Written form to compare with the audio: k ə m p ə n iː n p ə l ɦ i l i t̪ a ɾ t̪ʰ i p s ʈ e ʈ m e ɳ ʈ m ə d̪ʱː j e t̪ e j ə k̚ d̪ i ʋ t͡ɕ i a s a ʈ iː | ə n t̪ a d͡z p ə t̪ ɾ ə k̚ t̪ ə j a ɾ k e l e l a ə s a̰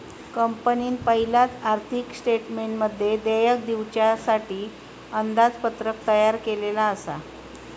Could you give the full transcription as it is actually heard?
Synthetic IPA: k ə m p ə n iː n p ə ɦ i l a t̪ a ɾ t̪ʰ i k s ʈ e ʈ m e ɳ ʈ m ə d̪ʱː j e d̪ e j ə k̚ d̪ i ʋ t͡ɕ j a s a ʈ iː | ə n d̪ a d͡z p ə t̪ ɾ ə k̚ t̪ ə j a ɾ k e l e l a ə s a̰